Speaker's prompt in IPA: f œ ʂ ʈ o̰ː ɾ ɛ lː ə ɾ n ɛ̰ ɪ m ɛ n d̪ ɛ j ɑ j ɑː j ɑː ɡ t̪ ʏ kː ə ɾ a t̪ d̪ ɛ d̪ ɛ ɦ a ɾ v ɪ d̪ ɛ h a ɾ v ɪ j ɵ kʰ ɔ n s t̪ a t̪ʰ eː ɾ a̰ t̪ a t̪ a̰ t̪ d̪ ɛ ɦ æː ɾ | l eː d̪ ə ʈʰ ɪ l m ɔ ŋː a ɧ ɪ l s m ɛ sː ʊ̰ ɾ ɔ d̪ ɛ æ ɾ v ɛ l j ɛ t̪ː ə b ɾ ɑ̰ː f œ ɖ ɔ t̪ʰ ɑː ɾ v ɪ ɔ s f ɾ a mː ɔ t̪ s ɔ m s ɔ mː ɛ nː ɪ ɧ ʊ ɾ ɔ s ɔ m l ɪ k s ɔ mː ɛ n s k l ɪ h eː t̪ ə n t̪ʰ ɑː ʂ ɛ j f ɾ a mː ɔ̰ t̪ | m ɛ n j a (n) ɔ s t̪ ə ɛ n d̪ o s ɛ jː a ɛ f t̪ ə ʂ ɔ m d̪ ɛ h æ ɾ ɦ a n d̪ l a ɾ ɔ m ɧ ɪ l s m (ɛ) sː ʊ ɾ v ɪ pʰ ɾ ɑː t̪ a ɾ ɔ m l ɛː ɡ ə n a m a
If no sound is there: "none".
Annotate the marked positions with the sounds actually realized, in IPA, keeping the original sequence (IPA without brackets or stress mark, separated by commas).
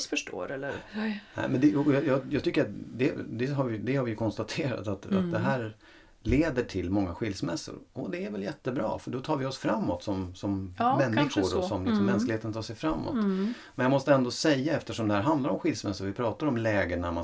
m, ɛ